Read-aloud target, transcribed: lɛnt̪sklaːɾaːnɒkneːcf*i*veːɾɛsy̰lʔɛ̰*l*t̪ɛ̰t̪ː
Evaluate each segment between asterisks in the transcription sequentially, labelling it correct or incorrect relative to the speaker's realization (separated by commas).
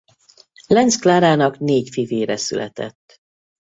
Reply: correct, incorrect